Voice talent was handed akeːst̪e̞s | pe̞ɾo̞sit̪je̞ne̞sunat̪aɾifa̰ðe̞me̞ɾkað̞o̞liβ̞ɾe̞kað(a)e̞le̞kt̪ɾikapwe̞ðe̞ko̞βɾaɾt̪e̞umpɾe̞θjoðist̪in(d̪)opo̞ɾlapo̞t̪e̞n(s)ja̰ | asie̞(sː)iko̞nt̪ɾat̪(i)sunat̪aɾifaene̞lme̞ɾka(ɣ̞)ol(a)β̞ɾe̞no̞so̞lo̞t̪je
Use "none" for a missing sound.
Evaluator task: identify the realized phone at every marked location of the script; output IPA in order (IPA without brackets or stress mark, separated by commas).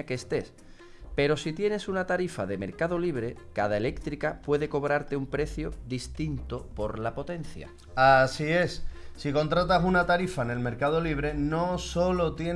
a, t̪, θ, sː, a, ð̞, i